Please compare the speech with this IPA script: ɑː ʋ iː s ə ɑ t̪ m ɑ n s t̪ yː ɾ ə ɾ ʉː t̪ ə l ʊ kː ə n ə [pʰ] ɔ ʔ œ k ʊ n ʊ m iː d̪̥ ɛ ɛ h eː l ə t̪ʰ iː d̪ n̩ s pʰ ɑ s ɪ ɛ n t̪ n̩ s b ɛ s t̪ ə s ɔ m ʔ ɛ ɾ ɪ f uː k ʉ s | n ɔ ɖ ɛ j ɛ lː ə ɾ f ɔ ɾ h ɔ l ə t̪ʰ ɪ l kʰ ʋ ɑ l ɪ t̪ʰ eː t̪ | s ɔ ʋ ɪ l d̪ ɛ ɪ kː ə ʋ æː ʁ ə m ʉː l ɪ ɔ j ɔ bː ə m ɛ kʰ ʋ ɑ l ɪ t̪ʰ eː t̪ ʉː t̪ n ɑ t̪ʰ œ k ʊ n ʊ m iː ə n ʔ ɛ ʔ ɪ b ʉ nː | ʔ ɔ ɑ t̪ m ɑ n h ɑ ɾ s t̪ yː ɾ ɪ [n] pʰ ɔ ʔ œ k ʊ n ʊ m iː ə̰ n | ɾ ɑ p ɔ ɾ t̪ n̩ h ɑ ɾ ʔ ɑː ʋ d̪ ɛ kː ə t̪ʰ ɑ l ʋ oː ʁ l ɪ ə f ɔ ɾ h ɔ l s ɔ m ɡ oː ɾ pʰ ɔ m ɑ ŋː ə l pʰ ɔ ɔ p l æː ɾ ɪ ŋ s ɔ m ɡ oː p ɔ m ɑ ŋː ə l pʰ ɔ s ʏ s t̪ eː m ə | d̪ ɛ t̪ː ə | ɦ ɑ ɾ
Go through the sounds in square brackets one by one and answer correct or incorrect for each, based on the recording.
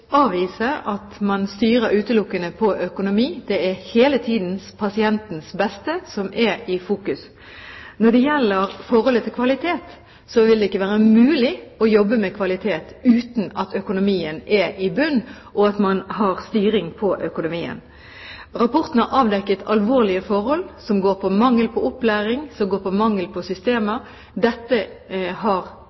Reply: correct, incorrect: ŋ

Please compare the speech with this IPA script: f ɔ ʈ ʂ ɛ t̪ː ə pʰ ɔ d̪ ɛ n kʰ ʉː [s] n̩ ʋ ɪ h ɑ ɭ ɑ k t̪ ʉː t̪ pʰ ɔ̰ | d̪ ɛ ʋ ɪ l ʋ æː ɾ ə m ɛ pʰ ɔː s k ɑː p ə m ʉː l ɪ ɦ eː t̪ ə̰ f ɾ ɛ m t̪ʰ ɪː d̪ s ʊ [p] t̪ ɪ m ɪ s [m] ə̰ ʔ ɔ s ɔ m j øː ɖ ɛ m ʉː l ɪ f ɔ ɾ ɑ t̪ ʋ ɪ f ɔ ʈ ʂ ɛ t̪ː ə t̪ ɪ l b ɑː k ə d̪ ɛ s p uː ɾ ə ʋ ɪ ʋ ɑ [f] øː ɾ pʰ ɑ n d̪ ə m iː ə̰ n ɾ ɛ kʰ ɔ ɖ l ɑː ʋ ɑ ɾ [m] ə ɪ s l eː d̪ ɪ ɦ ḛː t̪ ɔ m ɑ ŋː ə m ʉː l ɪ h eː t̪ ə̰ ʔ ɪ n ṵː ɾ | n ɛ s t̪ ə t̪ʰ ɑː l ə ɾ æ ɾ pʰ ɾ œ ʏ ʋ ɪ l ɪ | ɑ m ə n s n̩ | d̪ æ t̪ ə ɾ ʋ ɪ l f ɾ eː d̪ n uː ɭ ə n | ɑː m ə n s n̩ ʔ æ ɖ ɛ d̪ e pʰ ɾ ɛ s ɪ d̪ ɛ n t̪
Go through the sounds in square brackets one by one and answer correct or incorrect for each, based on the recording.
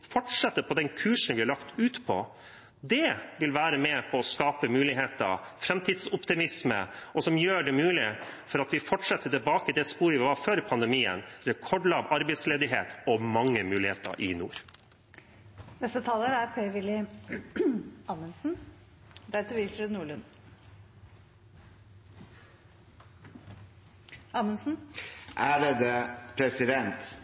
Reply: incorrect: ʂ, correct, correct, correct, incorrect: b

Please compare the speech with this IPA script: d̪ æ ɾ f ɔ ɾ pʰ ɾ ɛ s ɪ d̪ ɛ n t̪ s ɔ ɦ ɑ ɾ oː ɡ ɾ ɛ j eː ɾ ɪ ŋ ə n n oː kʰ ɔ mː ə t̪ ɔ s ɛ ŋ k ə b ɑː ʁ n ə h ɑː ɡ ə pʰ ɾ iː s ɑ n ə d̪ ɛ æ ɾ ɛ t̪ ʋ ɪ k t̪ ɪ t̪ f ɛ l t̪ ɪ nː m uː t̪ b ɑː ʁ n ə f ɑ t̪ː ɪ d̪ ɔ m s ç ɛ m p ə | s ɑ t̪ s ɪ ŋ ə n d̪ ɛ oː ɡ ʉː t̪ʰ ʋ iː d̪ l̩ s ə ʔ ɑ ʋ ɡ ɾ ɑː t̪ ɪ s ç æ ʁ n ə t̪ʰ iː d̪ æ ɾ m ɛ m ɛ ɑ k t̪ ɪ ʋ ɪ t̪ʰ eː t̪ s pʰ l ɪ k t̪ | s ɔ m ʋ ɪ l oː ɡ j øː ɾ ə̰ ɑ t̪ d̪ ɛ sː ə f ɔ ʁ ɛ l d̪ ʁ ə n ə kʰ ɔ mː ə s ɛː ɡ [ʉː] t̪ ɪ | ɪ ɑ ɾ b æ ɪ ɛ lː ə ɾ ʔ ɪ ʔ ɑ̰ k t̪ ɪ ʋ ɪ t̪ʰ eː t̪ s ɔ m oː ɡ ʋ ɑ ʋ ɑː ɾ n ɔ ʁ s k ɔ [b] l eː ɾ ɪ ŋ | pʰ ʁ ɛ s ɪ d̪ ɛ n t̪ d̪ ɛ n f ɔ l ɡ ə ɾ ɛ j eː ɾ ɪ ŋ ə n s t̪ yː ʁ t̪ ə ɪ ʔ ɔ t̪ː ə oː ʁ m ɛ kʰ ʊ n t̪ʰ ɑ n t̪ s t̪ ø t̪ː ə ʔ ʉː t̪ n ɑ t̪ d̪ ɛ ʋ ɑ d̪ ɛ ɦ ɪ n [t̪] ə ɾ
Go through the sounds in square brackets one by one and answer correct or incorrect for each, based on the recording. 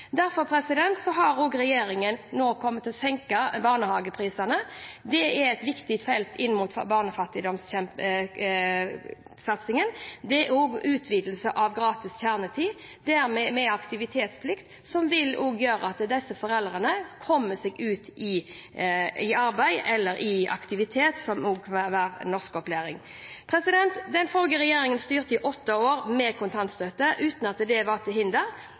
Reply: correct, incorrect: p, incorrect: d̪

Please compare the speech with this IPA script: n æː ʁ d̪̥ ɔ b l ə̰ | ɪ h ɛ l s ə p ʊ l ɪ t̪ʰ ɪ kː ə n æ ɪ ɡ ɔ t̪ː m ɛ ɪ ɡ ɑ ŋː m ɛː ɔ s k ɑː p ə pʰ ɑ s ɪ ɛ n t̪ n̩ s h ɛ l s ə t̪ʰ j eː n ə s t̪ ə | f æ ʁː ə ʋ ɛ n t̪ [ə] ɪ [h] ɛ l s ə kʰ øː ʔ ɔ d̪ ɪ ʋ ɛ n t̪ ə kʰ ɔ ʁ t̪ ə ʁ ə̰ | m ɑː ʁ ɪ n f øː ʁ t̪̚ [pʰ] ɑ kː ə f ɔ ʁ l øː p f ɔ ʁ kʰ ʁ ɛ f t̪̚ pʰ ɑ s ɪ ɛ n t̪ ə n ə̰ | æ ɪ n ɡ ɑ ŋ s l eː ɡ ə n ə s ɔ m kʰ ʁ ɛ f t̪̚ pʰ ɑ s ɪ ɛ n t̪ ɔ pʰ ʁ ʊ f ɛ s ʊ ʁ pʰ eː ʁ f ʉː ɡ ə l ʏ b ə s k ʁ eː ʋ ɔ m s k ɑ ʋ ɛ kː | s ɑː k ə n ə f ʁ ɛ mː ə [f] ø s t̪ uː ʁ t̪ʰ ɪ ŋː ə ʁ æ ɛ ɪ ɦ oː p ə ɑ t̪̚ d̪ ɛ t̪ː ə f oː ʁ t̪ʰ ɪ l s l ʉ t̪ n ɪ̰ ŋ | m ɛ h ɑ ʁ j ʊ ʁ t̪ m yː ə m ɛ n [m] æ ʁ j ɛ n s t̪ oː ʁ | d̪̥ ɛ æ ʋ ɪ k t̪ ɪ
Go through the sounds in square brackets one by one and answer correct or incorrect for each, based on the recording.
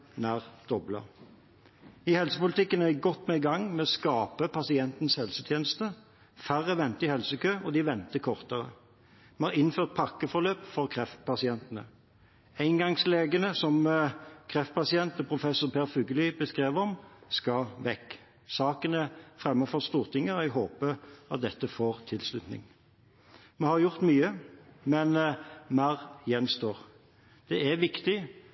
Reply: correct, correct, correct, correct, correct

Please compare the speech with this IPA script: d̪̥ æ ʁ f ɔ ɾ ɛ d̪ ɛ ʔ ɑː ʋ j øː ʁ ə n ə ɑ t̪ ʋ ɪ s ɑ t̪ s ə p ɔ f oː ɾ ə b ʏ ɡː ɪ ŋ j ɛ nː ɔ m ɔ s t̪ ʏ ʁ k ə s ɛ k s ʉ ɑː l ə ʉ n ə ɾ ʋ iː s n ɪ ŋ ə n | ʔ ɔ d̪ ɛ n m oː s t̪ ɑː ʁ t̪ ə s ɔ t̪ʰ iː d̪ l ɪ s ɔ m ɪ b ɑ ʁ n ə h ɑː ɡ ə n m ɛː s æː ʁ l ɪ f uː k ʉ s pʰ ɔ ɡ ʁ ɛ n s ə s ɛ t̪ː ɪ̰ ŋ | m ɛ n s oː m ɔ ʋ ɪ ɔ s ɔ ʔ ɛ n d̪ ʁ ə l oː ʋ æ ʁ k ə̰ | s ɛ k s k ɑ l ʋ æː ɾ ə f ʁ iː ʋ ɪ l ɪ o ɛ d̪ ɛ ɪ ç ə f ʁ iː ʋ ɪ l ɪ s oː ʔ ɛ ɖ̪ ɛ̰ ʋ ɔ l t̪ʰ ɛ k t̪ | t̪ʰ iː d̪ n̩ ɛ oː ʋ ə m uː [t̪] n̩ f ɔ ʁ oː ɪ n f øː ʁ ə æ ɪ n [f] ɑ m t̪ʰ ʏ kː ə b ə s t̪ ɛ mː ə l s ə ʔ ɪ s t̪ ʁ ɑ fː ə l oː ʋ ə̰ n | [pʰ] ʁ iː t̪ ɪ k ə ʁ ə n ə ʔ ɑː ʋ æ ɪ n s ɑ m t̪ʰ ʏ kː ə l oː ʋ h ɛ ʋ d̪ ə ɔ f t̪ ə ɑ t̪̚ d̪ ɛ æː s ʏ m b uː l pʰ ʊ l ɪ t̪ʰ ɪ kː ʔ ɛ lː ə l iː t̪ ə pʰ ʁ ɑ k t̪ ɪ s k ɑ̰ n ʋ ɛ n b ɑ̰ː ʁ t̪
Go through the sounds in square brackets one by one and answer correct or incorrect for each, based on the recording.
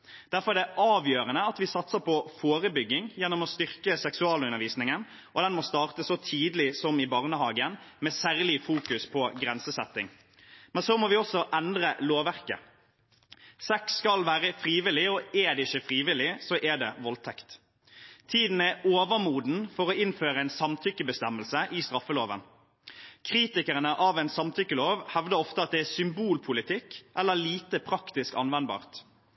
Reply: incorrect: d̪, incorrect: s, incorrect: kʰ

